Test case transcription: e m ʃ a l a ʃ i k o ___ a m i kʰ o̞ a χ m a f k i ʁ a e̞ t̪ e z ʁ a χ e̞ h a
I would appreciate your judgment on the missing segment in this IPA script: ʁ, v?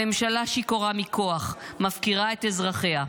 ʁ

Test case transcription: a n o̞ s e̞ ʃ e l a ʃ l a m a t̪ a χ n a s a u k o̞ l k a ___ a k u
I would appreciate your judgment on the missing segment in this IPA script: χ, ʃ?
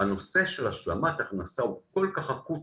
χ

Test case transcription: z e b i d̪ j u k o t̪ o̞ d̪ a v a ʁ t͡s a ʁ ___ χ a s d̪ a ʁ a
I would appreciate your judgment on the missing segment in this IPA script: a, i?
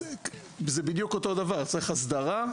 i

